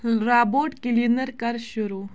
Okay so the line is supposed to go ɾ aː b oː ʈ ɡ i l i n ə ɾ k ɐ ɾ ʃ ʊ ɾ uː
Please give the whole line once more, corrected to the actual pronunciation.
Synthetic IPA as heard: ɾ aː b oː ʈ k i l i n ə ɾ k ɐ ɾ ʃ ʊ ɾ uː